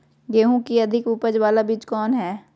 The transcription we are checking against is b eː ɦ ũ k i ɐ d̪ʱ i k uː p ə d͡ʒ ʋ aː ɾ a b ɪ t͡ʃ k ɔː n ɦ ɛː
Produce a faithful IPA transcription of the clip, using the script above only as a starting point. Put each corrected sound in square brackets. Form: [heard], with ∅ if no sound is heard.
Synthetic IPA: [ɡ] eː ɦ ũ k i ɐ d̪ʱ [ɪ] k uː p ə d͡ʒ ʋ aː [l] a b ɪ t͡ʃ k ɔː n ɦ ɛː